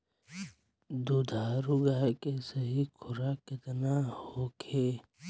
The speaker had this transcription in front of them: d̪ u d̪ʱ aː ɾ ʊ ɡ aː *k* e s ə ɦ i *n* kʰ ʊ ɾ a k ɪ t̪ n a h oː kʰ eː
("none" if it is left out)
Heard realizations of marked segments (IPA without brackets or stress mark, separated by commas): k, none